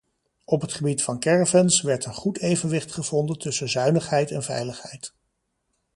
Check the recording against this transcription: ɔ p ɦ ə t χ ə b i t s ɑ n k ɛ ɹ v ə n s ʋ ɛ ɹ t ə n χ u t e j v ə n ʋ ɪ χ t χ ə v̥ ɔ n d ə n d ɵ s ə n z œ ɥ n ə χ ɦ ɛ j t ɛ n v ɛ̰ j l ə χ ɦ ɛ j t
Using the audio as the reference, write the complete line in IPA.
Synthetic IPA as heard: ɔ p ɦ ə t χ ə b i t f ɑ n k ɛ ɹ v ə n s ʋ ɛ ɹ t ə n χ u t e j v ə n ʋ ɪ χ t χ ə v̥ ɔ n d ə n t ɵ s ə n z œ ɥ n ə χ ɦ ɛ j t ɛ n v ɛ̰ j l ə χ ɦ ɛ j t